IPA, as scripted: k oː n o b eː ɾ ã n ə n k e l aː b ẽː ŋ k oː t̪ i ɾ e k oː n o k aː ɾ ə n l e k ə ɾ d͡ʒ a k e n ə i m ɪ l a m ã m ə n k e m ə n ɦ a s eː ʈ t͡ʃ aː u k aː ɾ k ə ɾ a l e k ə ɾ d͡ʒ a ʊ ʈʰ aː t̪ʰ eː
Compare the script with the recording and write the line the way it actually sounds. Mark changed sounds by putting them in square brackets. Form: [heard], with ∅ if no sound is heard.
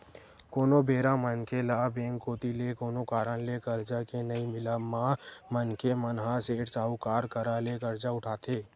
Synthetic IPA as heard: k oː n o b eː ɾ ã [m] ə n k e l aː b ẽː ŋ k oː t̪ i [l] e k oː n o k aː ɾ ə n l e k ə ɾ d͡ʒ a k e n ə i m ɪ l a m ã m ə n k e m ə n ɦ a s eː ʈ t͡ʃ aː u k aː ɾ k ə ɾ a l e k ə ɾ d͡ʒ a ʊ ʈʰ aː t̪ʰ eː